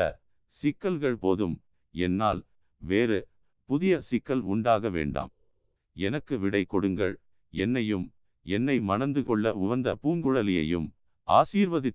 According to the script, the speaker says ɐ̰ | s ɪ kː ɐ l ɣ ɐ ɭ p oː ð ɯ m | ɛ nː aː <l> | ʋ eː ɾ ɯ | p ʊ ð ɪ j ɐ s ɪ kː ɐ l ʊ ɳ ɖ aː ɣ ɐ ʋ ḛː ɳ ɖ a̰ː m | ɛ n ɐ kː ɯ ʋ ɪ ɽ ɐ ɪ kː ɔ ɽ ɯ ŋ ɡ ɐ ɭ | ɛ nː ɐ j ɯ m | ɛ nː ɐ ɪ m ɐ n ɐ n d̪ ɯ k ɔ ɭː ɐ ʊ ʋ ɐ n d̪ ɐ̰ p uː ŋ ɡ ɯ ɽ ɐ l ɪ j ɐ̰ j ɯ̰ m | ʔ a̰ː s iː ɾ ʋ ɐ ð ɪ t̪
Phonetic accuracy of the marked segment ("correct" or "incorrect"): correct